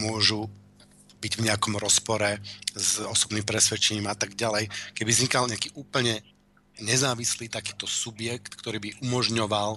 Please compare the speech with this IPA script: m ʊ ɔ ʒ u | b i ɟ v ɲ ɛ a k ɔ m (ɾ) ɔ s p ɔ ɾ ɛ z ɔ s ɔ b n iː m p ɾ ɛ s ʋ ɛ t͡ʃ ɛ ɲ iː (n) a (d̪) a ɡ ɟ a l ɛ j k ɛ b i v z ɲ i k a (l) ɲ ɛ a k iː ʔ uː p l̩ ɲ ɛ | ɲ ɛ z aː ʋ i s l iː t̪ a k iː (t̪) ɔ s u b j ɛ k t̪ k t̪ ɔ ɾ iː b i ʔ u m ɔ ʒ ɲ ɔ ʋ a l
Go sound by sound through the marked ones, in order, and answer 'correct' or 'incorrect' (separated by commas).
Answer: correct, incorrect, incorrect, correct, correct